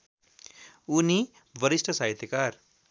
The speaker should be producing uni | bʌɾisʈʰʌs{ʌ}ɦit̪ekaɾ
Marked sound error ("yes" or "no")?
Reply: yes